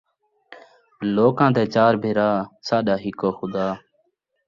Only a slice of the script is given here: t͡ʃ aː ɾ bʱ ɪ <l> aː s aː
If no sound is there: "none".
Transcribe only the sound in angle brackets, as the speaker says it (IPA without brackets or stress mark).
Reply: ɾ